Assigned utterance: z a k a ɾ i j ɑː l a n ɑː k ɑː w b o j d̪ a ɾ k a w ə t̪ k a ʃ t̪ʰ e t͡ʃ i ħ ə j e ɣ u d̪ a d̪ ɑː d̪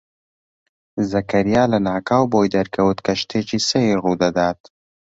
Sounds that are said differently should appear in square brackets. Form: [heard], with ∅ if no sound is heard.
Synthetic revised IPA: z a k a ɾ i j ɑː l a n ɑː k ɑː w b o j d̪ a ɾ k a w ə t̪ k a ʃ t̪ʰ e t͡ʃ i [s] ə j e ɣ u d̪ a d̪ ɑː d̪